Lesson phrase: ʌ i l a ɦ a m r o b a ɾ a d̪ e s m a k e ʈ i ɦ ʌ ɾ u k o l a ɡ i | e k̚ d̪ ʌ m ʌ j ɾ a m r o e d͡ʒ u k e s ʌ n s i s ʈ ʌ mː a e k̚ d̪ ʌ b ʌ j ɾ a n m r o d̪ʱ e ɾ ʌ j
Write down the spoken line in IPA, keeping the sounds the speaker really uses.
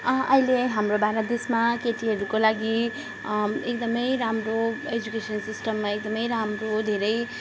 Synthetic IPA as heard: ʌ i l e ɦ a m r o b a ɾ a d̪ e s m a k e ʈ i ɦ ʌ ɾ u k o l a ɡ i | e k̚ d̪ ʌ m ʌ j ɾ a m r o e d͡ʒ u k e s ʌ n s i s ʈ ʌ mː a e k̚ d̪ ʌ m ʌ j ɾ a m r o d̪ʱ e ɾ ʌ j

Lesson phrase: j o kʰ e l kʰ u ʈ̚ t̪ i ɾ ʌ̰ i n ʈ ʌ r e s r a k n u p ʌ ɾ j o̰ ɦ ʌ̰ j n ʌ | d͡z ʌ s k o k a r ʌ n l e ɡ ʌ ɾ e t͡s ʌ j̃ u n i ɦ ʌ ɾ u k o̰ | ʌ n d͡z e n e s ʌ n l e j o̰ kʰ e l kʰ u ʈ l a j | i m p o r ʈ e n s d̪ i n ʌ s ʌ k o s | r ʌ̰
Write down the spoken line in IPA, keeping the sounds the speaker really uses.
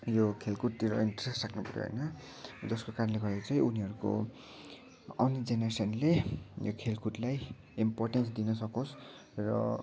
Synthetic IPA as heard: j o kʰ e l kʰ u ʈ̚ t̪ i ɾ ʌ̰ i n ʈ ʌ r e s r a k n u p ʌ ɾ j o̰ ɦ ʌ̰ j n ʌ | d͡z ʌ s k o k a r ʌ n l e ɡ ʌ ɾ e t͡s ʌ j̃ u n i ɦ ʌ ɾ u k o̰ | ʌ n d͡z e n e s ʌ n l e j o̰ kʰ e l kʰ u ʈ l a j | i m p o r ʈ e n s d̪ i n ʌ s ʌ k o s | r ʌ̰

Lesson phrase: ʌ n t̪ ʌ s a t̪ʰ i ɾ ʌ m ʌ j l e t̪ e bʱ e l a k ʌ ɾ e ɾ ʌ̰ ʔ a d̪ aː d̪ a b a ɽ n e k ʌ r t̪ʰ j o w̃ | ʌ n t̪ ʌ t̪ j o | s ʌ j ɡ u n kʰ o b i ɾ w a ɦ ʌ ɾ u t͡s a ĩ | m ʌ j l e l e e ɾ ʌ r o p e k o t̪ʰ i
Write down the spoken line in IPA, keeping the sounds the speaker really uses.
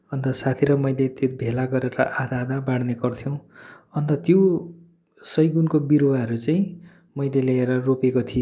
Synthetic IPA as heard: ʌ n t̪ ʌ s a t̪ʰ i ɾ ʌ m ʌ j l e t̪ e bʱ e l a ɡ ʌ ɾ e ɾ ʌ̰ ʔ a d̪ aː d̪ a b a ɽ n e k ʌ r t̪ʰ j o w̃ | ʌ n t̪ ʌ t̪ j o | s ʌ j ɡ u n k o b i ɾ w a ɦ ʌ ɾ u t͡s a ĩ | m ʌ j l e l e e ɾ ʌ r o p e k o t̪ʰ i

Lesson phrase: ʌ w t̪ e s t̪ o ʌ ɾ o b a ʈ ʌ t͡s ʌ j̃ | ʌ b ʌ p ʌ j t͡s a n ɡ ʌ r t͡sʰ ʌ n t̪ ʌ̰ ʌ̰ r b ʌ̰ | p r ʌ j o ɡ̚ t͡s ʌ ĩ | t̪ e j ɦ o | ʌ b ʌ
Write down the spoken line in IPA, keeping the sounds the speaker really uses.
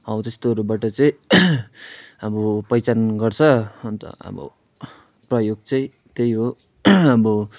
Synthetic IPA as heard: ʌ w t̪ e s t̪ o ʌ ɾ u b a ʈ ʌ t͡s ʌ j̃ | ʌ b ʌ p ʌ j t͡s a n ɡ ʌ r t͡sʰ ʌ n t̪ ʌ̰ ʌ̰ b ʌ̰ | p r ʌ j o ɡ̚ t͡s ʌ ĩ | t̪ e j ɦ o | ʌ b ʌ

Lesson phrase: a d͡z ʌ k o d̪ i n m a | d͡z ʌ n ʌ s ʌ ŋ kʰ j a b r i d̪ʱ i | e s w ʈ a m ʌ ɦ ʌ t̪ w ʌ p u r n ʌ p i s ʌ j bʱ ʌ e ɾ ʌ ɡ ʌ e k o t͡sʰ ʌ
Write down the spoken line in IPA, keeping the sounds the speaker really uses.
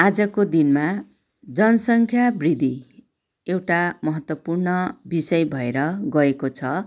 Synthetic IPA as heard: a d͡z ʌ k o d̪ i n m a | d͡z ʌ n ʌ s ʌ ŋ kʰ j a b r i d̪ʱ i | e w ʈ a m ʌ ɦ ʌ t̪ w ʌ p u r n ʌ b i s ʌ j bʱ ʌ e ɾ ʌ ɡ ʌ e k o t͡sʰ ʌ

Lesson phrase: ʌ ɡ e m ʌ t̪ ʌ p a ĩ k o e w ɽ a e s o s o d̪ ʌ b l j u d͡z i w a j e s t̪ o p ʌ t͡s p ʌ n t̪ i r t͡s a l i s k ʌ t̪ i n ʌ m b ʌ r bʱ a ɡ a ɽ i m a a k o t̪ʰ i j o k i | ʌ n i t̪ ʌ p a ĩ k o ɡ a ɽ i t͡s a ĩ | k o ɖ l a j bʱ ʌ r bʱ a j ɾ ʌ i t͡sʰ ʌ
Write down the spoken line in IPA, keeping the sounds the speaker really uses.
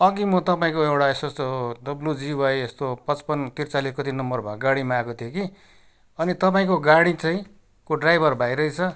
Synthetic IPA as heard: ʌ ɡ i m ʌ t̪ ʌ p a ĩ k o e w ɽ a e s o s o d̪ ʌ b l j u d͡z i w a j e s t̪ o p ʌ t͡s p ʌ n t̪ i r t͡s a l i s k ʌ t̪ i n ʌ m b ʌ r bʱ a ɡ a ɽ i m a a k o t̪ʰ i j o k i | ʌ n i t̪ ʌ p a ĩ k o ɡ a ɽ i t͡s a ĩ | k o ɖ r a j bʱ ʌ r bʱ a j ɾ ʌ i t͡sʰ ʌ

